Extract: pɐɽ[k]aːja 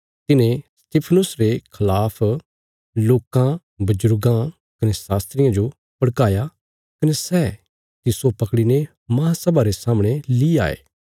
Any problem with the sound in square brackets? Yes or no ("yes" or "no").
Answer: no